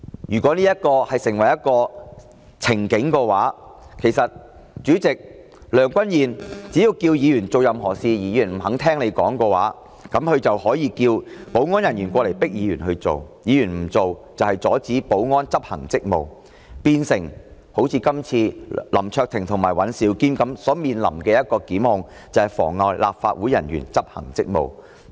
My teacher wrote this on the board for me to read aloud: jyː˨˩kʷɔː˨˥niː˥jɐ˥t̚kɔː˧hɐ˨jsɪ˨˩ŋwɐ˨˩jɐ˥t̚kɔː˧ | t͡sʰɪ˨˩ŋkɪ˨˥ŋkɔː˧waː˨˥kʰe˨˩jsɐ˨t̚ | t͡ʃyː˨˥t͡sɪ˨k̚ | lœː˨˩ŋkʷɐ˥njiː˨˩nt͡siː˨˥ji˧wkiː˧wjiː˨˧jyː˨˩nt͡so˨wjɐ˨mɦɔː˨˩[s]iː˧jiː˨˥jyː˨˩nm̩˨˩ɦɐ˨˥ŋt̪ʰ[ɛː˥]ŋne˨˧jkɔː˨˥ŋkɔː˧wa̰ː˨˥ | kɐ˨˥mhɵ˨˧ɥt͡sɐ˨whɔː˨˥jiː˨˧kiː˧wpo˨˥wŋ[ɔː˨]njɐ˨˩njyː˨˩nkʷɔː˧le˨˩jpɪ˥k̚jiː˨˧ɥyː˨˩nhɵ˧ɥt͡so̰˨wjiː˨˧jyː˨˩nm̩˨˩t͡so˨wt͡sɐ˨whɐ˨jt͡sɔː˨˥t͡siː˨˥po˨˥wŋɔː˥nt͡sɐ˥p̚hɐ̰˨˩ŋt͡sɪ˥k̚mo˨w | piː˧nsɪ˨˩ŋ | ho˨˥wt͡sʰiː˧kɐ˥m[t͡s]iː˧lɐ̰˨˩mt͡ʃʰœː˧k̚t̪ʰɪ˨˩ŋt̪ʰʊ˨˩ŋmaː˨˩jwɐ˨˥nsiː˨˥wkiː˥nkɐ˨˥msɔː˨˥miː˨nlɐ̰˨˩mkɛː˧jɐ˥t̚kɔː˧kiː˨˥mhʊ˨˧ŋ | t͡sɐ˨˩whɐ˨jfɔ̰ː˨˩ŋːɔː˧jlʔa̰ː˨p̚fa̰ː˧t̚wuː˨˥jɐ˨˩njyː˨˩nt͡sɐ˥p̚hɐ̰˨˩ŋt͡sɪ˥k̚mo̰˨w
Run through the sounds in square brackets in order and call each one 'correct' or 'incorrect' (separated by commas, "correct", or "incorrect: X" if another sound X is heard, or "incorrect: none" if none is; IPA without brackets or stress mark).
correct, correct, incorrect: ɔː˥, incorrect: t͡sʰ